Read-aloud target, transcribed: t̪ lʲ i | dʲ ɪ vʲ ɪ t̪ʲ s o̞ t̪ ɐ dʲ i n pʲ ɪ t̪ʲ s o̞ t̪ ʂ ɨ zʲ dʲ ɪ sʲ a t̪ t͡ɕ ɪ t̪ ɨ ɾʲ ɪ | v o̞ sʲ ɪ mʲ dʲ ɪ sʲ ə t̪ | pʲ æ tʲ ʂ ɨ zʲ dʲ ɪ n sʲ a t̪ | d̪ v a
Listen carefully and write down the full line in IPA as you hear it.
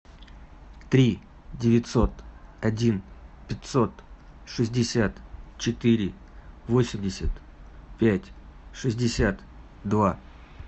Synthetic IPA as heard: t̪ ɾʲ i | dʲ ɪ vʲ ɪ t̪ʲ s o̞ t̪ ɐ dʲ i n pʲ ɪ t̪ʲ s o̞ t̪ ʂ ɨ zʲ dʲ ɪ sʲ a t̪ t͡ɕ ɪ t̪ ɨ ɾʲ ɪ | v o̞ sʲ ɪ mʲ dʲ ɪ sʲ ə t̪ | pʲ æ tʲ ʂ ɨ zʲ dʲ ɪ sʲ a t̪ | d̪ v a

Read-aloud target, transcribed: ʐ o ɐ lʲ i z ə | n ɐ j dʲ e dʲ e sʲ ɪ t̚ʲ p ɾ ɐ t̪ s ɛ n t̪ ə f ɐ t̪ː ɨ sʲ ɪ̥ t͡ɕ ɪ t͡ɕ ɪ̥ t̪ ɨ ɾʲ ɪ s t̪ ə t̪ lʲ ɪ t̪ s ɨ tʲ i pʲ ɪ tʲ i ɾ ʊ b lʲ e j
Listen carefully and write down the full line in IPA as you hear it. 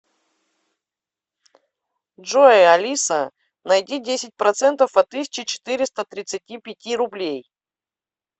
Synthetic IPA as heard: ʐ o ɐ lʲ i s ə | n ɐ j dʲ i dʲ e sʲ ɪ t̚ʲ p ɾ ɐ t̪ s ɛ n t̪ ə f ɐ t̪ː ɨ sʲ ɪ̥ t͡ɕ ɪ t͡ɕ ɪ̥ t̪ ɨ ɾʲ ɪ s t̪ ə t̪ ɾʲ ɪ t̪ s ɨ tʲ i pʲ ɪ tʲ i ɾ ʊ b lʲ e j

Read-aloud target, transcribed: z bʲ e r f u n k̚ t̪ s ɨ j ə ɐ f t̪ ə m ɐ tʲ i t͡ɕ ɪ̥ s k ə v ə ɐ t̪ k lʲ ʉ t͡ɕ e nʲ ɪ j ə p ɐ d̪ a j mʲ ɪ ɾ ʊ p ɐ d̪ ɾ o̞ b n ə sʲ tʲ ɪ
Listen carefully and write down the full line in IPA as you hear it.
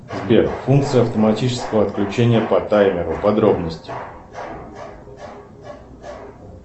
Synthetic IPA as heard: z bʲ e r f u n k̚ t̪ s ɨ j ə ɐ f t̪ ə m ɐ tʲ i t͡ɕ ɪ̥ s k ə v ə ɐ t̪ k lʲ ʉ t͡ɕ e nʲ ɪ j ə p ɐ t̪ a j mʲ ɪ ɾ ʊ p ɐ d̪ ɾ o̞ b n ə sʲ tʲ ɪ

